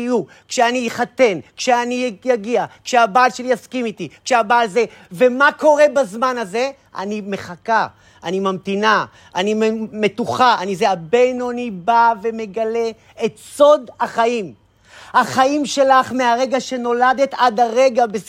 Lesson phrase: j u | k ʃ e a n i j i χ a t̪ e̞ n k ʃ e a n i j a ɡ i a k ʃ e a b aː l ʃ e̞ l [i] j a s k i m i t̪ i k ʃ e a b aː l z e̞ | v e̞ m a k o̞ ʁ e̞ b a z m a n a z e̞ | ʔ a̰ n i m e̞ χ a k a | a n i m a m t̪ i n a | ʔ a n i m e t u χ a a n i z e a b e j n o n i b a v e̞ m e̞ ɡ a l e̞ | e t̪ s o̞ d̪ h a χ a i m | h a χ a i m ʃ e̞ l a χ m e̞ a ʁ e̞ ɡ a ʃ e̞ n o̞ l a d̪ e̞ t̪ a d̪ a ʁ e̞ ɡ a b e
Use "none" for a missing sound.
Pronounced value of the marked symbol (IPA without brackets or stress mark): i